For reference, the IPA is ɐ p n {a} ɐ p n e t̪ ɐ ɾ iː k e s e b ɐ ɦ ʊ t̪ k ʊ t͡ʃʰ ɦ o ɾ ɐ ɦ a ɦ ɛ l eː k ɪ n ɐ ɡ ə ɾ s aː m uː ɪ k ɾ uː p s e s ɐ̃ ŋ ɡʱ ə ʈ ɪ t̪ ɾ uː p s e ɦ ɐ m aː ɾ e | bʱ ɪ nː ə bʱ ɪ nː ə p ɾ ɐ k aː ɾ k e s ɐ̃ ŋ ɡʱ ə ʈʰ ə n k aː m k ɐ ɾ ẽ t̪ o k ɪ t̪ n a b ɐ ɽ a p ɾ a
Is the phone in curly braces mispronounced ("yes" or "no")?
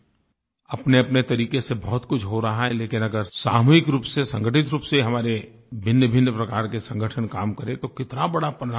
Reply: yes